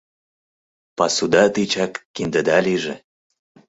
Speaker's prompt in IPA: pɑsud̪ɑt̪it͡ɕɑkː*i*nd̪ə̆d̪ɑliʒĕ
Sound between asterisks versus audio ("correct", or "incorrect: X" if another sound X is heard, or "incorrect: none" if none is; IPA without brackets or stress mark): correct